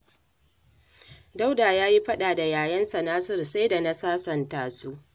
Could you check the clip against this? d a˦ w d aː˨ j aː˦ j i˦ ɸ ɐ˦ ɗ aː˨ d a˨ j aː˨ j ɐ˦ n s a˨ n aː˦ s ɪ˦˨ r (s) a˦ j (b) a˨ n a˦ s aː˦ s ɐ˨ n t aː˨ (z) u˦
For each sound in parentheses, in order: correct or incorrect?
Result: correct, incorrect: d, incorrect: s

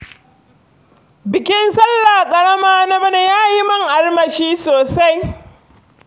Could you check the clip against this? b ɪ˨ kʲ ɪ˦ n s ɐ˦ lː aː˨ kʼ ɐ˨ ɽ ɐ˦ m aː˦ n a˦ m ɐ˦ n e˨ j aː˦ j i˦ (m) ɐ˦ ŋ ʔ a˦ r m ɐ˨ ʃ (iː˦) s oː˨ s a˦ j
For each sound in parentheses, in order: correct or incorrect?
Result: correct, correct

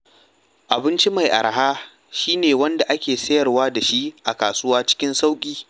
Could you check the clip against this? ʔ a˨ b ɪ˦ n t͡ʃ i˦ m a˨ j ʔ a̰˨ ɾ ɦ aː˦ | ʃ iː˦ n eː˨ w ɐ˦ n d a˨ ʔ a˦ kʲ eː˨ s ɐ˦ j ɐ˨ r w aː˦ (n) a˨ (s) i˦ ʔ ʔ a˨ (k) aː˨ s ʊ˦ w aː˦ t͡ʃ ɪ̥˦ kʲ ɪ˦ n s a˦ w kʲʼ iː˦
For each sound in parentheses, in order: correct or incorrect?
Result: incorrect: d, incorrect: ʃ, correct

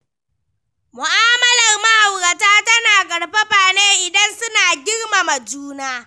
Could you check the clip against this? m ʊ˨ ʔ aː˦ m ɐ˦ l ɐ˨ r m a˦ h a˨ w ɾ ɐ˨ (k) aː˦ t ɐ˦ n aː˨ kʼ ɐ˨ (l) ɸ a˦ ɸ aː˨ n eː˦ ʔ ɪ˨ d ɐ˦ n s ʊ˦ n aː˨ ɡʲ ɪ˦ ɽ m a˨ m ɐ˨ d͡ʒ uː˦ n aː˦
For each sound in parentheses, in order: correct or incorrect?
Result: incorrect: t, incorrect: ɽ

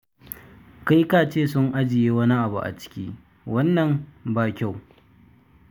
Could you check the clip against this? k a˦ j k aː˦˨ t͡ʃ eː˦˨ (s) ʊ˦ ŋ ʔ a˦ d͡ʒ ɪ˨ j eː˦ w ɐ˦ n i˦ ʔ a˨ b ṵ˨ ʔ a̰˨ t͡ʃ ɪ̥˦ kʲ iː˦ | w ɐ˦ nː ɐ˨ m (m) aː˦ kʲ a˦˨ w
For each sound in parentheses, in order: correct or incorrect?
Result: correct, incorrect: b

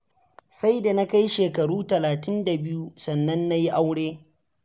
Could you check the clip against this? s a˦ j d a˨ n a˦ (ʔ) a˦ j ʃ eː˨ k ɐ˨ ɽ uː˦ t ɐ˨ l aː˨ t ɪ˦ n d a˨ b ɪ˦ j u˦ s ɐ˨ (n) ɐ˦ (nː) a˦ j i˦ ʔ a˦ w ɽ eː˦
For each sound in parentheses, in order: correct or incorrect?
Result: incorrect: k, incorrect: nː, correct

